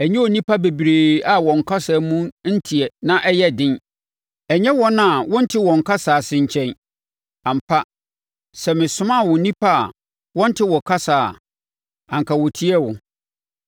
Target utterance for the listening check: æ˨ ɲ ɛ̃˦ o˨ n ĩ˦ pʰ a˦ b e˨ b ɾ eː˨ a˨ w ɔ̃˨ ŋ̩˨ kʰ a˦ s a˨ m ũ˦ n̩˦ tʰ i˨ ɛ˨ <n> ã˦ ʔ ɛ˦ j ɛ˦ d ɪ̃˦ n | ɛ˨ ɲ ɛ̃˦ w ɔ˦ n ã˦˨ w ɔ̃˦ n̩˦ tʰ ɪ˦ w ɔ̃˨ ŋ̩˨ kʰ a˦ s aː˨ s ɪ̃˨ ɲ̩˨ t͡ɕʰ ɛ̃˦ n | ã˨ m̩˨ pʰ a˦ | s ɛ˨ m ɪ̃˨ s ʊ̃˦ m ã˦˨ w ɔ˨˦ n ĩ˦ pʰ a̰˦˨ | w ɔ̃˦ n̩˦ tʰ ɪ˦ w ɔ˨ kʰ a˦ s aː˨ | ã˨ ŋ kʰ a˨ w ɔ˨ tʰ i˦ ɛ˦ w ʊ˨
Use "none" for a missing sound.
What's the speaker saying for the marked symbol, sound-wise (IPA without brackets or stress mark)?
n